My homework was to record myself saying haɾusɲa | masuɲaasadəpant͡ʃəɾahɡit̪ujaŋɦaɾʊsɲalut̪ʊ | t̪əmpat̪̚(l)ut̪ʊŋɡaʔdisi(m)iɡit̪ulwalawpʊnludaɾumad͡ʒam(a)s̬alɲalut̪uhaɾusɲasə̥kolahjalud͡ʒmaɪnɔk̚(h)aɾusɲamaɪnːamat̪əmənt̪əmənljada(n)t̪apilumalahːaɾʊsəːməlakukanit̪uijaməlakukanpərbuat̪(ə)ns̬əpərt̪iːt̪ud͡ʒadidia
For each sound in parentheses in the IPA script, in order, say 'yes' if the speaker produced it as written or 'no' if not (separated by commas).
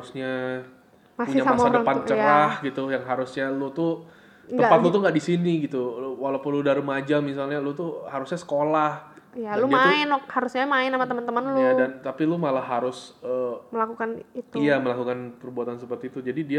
yes, no, no, yes, yes, no